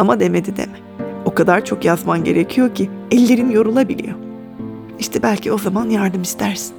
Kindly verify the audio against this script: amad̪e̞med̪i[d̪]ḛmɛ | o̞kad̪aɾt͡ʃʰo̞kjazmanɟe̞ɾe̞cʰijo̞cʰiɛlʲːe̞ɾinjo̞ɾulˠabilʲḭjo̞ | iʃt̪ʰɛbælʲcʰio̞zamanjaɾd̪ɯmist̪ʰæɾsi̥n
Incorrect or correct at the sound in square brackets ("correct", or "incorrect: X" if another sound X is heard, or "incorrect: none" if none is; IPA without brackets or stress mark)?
correct